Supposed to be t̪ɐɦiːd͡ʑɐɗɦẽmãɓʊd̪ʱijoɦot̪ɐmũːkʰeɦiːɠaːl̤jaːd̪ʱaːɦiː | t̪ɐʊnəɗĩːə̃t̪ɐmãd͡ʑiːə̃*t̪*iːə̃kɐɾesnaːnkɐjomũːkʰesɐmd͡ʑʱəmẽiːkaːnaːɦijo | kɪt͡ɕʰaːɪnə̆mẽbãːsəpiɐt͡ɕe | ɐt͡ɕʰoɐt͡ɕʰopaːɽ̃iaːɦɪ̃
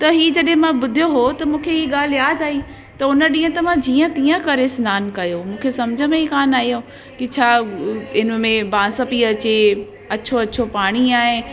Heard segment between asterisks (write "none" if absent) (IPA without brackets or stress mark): t̪